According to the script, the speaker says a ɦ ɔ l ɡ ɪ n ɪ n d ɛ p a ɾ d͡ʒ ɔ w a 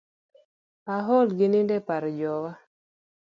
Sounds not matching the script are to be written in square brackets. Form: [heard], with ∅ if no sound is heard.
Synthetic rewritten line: a ɦ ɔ l ɡ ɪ n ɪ n d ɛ p a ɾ d͡ʒ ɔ w a